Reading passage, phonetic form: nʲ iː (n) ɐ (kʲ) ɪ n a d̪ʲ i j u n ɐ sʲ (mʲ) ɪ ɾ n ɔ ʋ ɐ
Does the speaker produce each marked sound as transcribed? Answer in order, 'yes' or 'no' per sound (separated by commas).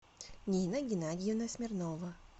yes, no, yes